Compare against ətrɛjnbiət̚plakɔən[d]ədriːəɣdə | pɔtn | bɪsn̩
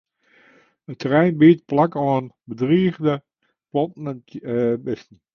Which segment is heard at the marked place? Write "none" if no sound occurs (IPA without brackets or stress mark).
b